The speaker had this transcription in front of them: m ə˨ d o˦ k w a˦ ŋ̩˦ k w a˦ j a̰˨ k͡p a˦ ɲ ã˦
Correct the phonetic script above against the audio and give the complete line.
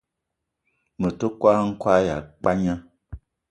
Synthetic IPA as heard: m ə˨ t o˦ k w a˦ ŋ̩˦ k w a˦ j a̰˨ k͡p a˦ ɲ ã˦